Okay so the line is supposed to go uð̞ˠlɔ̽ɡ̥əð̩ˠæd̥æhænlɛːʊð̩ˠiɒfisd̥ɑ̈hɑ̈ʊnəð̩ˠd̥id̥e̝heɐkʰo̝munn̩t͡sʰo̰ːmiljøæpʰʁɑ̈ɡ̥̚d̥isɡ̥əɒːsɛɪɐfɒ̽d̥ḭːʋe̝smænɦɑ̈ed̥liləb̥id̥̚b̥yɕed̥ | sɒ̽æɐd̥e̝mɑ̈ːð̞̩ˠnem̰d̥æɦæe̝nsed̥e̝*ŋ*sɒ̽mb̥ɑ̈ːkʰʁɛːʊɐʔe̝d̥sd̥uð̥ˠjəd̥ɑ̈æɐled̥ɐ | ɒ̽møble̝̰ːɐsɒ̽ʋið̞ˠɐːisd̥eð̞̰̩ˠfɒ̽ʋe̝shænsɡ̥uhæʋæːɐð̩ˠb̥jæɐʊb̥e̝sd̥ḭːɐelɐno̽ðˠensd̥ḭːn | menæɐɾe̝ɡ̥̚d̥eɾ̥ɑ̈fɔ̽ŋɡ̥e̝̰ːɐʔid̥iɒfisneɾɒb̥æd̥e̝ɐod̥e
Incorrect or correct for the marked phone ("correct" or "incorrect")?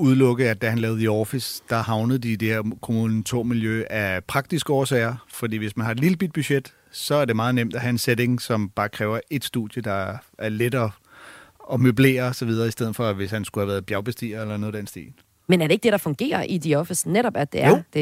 correct